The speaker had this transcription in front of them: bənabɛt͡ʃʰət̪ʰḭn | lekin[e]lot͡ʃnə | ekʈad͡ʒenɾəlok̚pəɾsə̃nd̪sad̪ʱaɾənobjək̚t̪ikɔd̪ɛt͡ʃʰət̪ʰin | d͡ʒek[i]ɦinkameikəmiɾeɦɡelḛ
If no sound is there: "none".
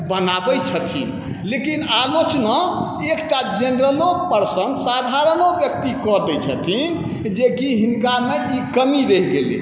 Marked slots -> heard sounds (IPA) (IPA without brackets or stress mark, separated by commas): a, i